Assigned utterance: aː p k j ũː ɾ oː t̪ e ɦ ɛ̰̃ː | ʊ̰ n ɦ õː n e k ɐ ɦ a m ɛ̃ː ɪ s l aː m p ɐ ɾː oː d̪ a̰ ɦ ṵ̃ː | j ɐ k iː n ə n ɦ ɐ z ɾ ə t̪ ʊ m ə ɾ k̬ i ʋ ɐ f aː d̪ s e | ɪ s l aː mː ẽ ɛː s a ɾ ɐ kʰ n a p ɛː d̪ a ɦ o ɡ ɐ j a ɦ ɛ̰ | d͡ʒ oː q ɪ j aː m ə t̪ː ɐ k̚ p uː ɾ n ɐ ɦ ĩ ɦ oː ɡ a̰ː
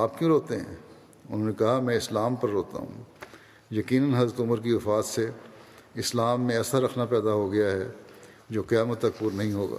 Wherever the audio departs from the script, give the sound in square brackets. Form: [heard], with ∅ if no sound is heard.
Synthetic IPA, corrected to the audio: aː p k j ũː ɾ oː t̪ e ɦ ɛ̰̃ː | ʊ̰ n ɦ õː n e k ɐ ɦ a m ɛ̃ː ɪ s l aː m p ɐ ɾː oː [t̪] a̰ ɦ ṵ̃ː | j ɐ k iː n ə n ɦ ɐ z ɾ ə t̪ ʊ m ə ɾ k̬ i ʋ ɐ f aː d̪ s e | ɪ s l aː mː ẽ ɛː s a ɾ ɐ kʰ n a p ɛː d̪ a ɦ o ɡ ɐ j a ɦ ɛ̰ | d͡ʒ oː q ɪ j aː m ə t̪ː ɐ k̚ p uː ɾ n ɐ ɦ ĩ ɦ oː ɡ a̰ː